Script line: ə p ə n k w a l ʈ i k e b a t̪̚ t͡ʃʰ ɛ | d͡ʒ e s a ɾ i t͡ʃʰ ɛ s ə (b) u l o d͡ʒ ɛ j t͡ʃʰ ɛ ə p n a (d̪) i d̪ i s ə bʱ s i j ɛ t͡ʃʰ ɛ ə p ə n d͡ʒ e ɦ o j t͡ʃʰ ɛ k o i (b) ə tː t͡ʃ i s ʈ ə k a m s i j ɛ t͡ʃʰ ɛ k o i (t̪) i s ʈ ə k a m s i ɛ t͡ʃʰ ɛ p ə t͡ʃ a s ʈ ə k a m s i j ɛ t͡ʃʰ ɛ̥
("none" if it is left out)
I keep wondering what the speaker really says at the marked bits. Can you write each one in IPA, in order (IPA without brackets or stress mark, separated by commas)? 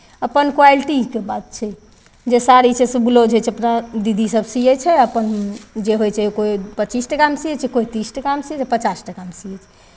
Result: b, d̪, p, t̪